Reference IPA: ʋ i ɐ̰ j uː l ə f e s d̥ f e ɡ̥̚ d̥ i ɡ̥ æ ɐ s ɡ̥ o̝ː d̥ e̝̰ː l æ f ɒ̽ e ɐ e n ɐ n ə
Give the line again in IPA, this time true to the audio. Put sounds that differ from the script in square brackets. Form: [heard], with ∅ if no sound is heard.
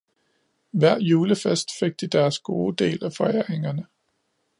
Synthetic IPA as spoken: ʋ [æ] ɐ̰ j uː l ə f e s d̥ f e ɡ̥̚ d̥ i [d̥] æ ɐ s ɡ̥ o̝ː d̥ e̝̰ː l æ f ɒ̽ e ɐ e [ŋ] ɐ n ə